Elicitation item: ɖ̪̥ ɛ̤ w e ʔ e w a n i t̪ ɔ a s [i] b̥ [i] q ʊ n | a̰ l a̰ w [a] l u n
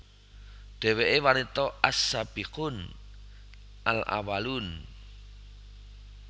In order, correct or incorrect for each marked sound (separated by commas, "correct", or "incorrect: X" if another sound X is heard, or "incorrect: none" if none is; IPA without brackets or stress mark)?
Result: incorrect: a, correct, correct